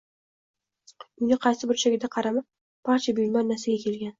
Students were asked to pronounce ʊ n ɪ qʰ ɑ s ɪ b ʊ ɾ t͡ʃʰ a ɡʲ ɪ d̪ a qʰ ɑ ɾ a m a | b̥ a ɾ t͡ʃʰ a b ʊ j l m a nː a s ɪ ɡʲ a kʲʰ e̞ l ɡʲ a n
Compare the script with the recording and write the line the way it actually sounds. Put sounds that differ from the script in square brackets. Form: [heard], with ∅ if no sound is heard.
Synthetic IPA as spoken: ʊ n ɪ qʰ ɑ s ɪ b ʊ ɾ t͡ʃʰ a ɡʲ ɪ d̪ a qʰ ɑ ɾ a m a | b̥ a ɾ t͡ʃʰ a b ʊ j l m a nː a s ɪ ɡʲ a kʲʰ e̞ l ɡʲ a n